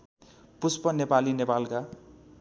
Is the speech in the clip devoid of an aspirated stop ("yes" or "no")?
yes